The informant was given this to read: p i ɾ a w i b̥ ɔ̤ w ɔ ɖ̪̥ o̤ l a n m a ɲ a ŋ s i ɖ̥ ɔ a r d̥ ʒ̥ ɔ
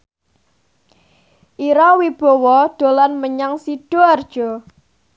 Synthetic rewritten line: ʔ i ɾ a w i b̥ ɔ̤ w ɔ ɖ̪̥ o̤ l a n m ə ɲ a ŋ s i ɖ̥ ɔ a r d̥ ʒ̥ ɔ

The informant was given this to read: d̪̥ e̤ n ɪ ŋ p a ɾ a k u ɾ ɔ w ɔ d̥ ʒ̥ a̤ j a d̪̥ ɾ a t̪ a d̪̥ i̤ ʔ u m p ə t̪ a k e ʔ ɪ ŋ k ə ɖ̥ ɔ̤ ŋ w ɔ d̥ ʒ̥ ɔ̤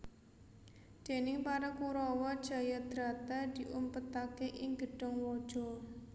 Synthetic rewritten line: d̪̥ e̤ n ɪ ŋ p a ɾ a k u ɾ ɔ w ɔ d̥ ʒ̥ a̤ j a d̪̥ ɾ a t̪ a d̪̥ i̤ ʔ u m p ə t̪ a k e ʔ ɪ ŋ ɡ ə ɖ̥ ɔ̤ ŋ w ɔ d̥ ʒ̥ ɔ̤

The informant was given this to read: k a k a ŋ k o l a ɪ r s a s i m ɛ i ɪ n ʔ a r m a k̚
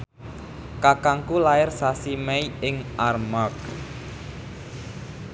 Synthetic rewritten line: k a k a ŋ k u l a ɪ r s a s i m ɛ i ɪ ŋ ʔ a r m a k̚

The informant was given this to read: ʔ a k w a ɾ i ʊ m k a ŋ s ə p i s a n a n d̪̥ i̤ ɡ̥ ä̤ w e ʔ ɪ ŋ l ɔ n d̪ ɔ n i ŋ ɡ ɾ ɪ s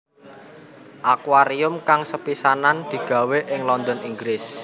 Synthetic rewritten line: ʔ a k w a ɾ i ʊ m k a ŋ s ə p i s a n a n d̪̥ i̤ ɡ̥ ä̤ w e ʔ ɪ ŋ l ɔ n d̪ ɔ n i ŋ ɡ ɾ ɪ s

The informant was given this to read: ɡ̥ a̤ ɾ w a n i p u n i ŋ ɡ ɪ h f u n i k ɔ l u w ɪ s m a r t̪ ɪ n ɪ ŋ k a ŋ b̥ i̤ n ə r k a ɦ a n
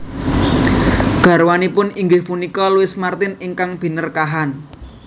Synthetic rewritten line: ɡ̥ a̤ ɾ w a n i p ʊ n i ŋ ɡ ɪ h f u n i k ɔ l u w ɪ s m a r t̪ ɪ n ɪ ŋ k a ŋ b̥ i̤ n ə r k a ɦ a n

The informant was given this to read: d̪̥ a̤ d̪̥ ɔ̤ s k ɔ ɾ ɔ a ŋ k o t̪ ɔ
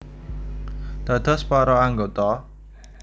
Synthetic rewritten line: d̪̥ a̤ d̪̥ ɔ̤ s p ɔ ɾ ɔ a ŋ ɡ o t̪ ɔ

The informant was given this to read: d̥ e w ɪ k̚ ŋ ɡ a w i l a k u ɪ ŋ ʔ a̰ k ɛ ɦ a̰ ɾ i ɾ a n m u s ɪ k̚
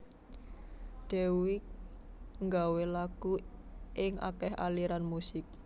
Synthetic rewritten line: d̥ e w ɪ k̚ ŋ ɡ a w e l a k u ɪ ŋ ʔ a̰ k ɛ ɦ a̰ l i ɾ a n m u s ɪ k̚

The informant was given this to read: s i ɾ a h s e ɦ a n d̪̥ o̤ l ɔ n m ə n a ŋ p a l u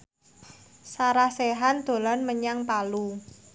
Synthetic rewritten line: s a ɾ a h s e ɦ a n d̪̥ o̤ l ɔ n m ə ɲ a ŋ p a l u

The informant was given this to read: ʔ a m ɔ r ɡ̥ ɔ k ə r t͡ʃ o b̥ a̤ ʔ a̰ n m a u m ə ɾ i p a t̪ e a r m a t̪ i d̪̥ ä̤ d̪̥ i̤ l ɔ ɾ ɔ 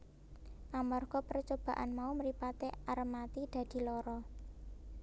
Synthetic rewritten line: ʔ a m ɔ r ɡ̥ ɔ p ə r t͡ʃ o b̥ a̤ ʔ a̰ n m a u m ə ɾ i p a t̪ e a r m a t̪ i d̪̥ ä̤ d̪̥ i̤ l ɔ ɾ ɔ

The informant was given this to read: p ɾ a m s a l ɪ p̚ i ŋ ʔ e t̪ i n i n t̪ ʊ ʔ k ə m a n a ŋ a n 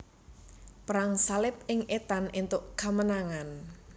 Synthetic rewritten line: p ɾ a ŋ s a l ɪ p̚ ɪ ŋ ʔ e t̪ a n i n t̪ ʊ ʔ k a m ə n a ŋ a n

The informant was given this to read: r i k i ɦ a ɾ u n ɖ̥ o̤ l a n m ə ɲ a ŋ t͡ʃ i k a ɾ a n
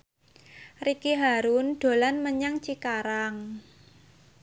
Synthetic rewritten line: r i k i ɦ a ɾ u n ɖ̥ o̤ l a n m ə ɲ a ŋ t͡ʃ i k a ɾ a ŋ

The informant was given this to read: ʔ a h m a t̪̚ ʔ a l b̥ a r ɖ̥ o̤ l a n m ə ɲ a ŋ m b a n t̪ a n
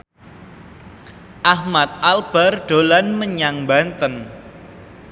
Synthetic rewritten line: ʔ a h m a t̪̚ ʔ a l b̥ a r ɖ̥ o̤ l a n m ə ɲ a ŋ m b a n t̪ ə n

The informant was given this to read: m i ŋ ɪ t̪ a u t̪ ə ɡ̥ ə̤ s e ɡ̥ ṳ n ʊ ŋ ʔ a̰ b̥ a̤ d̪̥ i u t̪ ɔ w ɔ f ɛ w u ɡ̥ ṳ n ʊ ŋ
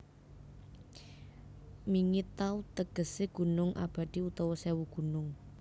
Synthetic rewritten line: m i ŋ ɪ t̪ a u t̪ ə ɡ̥ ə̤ s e ɡ̥ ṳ n ʊ ŋ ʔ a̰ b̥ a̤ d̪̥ i u t̪ ɔ w ɔ s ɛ w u ɡ̥ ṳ n ʊ ŋ

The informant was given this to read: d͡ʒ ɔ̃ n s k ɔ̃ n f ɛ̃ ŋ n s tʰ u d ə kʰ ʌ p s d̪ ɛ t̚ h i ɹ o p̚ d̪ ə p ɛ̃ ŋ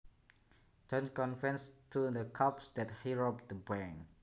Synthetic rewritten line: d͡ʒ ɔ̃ n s k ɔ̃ n f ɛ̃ n s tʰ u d ə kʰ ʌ p s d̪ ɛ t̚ h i ɹ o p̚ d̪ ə b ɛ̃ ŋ

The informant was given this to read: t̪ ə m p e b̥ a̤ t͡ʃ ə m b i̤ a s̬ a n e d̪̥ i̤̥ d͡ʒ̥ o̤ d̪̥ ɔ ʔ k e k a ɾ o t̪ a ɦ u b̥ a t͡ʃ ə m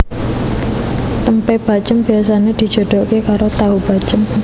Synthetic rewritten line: t̪ ə m p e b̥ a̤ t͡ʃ ə m b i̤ a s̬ a n e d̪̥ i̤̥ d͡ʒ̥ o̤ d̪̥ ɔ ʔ k e k a ɾ o t̪ a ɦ u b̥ a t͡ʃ ə m

